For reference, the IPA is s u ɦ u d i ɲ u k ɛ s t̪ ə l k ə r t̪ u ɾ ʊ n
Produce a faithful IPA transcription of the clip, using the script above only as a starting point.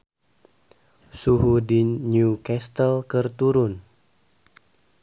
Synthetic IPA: s u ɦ u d i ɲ u k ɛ s t̪ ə l k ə r t̪ u ɾ ʊ n